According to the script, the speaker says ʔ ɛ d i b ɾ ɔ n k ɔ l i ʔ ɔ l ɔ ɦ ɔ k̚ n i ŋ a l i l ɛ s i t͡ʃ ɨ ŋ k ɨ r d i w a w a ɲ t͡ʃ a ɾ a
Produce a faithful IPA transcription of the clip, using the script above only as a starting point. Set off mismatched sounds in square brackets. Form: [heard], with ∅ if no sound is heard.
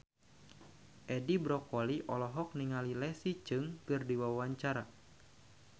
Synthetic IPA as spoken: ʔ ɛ d i b ɾ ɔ [∅] k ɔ l i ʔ ɔ l ɔ ɦ ɔ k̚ n i ŋ a l i l ɛ s i t͡ʃ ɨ ŋ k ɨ r d i w a w a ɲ t͡ʃ a ɾ a